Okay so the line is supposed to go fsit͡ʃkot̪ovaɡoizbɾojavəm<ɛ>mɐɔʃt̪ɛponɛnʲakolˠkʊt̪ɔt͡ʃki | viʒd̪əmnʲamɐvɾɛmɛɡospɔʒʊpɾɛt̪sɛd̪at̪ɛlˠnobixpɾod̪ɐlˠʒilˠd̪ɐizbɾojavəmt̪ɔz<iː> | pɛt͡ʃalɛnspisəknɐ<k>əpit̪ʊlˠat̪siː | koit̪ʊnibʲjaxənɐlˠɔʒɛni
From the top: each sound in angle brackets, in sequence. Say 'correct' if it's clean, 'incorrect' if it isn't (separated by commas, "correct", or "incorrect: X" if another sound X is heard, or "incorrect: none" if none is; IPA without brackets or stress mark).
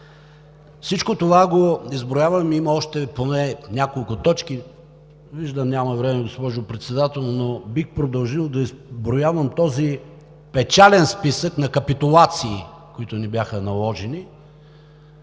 incorrect: i, incorrect: i, correct